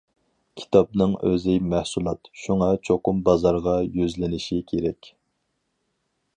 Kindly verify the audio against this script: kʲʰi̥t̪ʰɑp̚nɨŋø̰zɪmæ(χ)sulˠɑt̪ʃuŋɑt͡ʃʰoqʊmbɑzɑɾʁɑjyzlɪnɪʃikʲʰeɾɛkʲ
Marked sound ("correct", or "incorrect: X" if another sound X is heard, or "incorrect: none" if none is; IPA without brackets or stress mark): incorrect: h